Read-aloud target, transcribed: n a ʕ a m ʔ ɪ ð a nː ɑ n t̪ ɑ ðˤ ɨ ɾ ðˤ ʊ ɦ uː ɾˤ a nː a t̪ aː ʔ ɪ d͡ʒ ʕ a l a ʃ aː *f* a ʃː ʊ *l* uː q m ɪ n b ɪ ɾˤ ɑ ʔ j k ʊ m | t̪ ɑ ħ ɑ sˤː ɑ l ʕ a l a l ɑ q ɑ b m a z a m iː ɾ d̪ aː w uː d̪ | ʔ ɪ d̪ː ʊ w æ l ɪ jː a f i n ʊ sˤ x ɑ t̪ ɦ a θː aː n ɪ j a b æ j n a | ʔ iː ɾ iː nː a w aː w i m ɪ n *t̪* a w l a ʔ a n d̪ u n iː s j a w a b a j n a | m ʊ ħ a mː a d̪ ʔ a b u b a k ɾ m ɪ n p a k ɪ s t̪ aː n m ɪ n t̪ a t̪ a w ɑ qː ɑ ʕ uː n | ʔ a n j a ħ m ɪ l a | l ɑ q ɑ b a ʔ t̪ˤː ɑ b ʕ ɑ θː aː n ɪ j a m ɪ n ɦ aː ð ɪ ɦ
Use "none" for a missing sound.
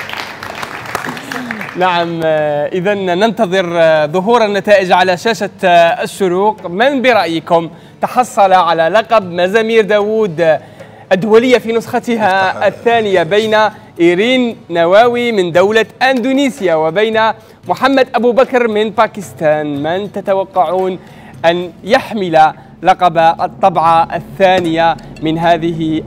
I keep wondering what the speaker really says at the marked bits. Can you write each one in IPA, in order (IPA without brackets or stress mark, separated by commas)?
ʃ, ɾ, d̪